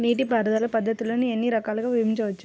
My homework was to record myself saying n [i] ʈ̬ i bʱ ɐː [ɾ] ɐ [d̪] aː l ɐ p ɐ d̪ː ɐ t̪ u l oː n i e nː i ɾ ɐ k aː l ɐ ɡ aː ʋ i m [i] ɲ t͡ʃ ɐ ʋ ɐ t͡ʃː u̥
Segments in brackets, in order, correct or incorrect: incorrect, correct, correct, correct

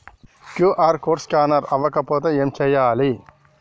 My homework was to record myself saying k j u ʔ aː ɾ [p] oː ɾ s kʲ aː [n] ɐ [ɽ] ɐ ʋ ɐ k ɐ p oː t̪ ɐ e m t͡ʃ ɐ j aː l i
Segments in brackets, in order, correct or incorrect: incorrect, correct, incorrect

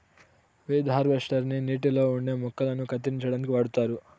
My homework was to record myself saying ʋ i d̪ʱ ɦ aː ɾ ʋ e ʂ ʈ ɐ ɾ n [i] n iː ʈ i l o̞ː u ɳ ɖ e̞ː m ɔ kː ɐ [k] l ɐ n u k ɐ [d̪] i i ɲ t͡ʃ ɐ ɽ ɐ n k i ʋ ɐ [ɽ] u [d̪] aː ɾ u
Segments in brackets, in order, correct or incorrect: correct, incorrect, incorrect, correct, incorrect

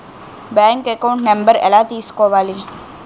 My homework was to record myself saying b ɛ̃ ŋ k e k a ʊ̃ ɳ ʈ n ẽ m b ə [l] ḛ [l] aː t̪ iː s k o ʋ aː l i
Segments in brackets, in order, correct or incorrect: incorrect, correct

